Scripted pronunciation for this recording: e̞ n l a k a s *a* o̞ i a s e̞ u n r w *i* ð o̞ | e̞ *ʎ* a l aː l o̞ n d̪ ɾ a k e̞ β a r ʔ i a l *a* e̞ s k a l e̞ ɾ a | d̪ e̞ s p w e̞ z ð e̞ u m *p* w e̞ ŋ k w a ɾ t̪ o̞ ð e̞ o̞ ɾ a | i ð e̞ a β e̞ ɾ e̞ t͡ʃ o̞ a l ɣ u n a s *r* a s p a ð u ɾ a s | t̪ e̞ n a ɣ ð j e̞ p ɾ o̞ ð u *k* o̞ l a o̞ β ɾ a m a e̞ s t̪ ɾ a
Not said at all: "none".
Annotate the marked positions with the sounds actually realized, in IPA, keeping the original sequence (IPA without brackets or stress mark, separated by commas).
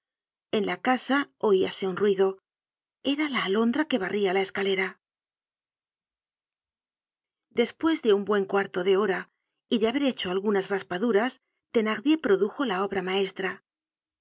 a, i, ɾ, a, b, r, x